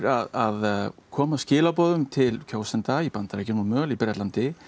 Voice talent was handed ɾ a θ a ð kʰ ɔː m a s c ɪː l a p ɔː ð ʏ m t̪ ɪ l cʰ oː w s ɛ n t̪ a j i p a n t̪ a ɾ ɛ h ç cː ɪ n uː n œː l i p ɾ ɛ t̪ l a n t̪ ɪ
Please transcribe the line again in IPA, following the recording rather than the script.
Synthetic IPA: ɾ a ð a ð kʰ ɔː m a s c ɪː l a p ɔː ð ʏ m t̪ʰ ɪ l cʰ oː w s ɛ n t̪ a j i p a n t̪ a ɾ ɛ h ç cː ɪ n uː m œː l i p ɾ ɛ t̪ l a n t̪ ɪ